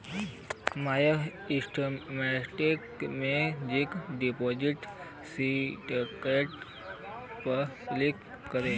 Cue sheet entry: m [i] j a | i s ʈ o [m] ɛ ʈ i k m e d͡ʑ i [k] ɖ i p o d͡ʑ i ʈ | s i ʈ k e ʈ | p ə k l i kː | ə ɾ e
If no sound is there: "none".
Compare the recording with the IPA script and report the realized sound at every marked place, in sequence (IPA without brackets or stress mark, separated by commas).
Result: a, m, k